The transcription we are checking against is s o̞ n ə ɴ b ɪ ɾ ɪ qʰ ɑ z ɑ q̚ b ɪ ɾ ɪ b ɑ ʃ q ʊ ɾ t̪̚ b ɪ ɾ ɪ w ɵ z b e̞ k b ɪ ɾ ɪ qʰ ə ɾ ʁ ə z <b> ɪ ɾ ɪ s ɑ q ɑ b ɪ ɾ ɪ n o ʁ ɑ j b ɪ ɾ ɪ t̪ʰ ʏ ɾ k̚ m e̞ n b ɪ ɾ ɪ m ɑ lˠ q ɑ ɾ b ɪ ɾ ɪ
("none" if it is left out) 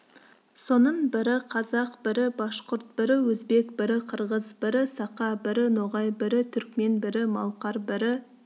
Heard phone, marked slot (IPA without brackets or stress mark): b